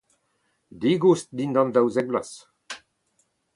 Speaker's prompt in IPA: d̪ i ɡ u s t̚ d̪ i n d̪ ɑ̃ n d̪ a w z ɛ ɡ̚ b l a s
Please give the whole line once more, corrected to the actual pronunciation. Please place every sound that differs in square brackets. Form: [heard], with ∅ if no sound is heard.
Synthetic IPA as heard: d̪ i ɡ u s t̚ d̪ i n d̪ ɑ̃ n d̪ a w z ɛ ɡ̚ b l a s